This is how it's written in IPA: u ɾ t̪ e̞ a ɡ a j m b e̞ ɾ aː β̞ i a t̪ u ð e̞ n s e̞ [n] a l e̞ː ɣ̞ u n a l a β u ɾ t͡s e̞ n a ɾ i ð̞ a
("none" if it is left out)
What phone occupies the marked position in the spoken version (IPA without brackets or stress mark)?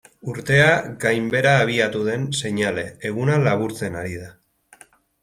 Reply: ɲ